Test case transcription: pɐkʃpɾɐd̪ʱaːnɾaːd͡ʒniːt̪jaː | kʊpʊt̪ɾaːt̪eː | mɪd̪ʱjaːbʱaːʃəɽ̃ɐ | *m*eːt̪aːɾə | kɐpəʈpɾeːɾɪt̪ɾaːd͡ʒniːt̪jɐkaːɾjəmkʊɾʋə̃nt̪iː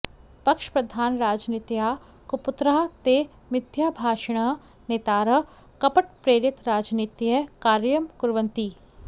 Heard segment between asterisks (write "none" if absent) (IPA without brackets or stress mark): n